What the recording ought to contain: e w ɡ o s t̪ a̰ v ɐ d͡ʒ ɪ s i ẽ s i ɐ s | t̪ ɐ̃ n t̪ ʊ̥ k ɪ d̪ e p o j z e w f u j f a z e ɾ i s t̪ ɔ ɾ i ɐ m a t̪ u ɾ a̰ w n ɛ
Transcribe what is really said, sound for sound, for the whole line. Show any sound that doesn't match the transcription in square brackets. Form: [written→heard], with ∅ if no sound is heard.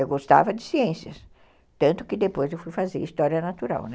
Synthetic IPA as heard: e w ɡ o s t̪ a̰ v ɐ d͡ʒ ɪ s i ẽ s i ɐ s | t̪ ɐ̃ n t̪ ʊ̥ k ɪ d̪ e p o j z e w f u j f a z e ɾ i s t̪ ɔ ɾ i ɐ [m→n] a t̪ u ɾ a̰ w n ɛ